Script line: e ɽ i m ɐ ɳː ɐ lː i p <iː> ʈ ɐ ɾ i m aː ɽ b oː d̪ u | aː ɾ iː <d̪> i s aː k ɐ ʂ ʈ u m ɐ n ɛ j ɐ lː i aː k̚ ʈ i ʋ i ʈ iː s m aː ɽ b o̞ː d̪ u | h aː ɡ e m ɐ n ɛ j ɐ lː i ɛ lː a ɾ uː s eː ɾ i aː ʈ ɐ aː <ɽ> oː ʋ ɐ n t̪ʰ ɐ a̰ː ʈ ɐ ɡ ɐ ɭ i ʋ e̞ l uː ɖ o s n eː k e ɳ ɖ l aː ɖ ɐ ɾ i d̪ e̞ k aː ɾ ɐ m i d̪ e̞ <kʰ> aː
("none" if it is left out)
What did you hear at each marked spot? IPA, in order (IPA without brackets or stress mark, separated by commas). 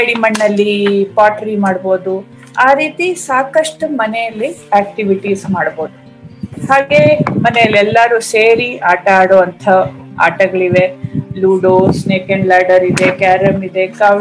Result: aː, t̪, ɽ, k